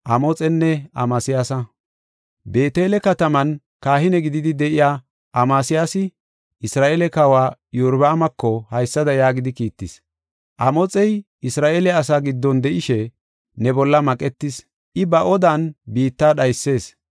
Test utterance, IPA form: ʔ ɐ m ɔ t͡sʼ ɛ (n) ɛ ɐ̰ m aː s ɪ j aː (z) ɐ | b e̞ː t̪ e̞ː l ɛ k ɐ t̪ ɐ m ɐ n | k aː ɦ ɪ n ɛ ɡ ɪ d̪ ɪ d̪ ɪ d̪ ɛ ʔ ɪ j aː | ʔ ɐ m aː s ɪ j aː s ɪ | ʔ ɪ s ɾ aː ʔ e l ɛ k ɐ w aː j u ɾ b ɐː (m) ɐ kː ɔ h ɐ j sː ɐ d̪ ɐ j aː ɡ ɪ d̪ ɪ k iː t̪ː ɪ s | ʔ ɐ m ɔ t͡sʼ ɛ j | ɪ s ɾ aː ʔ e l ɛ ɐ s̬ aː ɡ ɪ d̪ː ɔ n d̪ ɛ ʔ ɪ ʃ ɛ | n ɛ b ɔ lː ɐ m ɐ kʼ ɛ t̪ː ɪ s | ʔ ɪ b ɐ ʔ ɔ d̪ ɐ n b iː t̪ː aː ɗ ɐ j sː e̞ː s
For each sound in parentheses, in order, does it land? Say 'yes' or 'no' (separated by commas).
no, no, yes